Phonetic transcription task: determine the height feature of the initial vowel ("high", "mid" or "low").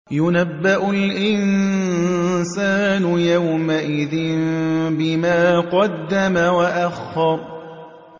high